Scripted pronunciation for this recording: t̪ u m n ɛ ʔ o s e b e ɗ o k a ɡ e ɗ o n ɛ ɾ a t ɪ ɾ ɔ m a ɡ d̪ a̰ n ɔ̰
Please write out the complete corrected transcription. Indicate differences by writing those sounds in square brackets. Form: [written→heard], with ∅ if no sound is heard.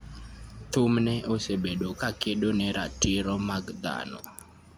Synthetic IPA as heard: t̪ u m n ɛ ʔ o s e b e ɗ o k a [ɡ→k] e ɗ o n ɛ ɾ a t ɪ ɾ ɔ m a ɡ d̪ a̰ n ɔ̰